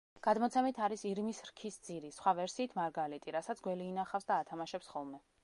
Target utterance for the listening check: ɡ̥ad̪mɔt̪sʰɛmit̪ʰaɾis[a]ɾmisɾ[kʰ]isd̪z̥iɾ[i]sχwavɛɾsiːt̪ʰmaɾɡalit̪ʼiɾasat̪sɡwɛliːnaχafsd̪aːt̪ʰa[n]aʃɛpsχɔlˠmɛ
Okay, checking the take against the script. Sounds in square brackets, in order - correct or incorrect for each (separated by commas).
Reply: incorrect, correct, correct, incorrect